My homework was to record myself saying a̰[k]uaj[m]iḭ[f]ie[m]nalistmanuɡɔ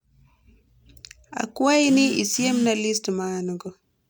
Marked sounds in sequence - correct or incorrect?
correct, incorrect: n, incorrect: s, correct

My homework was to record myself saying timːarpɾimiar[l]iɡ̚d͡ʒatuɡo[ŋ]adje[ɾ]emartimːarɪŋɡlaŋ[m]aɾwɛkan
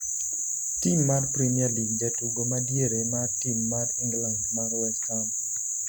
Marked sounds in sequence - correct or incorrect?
correct, incorrect: m, correct, correct

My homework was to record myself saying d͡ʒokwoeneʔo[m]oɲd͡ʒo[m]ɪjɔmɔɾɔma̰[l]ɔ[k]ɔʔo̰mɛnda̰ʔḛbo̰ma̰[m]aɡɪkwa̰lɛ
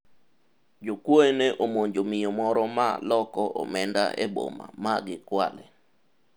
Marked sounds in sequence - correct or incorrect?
correct, correct, correct, correct, correct

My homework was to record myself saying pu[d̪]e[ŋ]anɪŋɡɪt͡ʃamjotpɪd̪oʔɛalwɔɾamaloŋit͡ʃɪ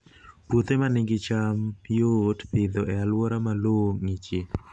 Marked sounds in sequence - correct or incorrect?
incorrect: t̪, incorrect: m

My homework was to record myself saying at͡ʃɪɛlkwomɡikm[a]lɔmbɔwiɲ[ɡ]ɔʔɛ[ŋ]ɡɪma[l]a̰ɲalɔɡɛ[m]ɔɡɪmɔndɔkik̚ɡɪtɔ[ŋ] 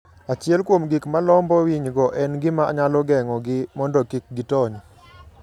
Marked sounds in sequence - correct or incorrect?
correct, correct, incorrect: n, incorrect: none, incorrect: ŋ, incorrect: ɲ

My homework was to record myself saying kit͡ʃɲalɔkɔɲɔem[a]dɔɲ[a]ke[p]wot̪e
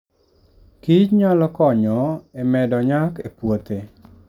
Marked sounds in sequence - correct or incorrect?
incorrect: ɛ, correct, correct

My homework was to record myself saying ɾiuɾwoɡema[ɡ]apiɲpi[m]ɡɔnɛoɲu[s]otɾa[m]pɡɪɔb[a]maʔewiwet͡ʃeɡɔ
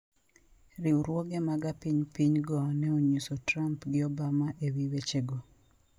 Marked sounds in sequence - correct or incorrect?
correct, incorrect: ɲ, correct, correct, correct

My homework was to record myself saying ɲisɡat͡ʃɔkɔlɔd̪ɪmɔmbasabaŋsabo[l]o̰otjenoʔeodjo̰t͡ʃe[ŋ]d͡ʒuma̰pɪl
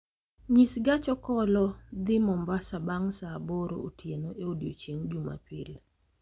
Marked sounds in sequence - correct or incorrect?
incorrect: ɾ, correct

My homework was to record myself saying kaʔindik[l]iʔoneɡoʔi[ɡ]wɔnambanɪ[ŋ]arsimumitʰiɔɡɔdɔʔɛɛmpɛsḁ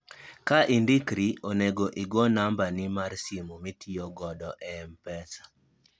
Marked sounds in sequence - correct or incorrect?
incorrect: ɾ, correct, incorrect: m

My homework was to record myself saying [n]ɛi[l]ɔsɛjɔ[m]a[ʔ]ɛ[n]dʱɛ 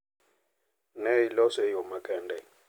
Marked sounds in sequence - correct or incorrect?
correct, correct, correct, incorrect: k, correct

